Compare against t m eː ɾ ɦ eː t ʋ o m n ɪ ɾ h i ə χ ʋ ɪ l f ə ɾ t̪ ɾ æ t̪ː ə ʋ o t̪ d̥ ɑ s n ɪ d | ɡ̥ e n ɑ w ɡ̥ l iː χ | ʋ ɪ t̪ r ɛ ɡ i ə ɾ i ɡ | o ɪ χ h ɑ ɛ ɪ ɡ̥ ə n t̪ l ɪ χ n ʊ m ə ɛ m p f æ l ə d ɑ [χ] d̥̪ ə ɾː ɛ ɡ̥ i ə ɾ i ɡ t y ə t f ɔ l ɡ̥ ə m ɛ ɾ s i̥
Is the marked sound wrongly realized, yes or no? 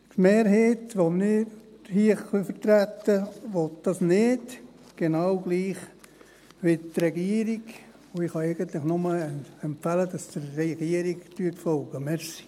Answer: yes